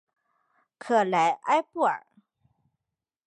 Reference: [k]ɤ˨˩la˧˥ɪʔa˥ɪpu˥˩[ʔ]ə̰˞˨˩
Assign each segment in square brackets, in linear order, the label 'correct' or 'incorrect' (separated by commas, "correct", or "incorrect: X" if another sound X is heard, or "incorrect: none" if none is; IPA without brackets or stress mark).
incorrect: kʰ, incorrect: none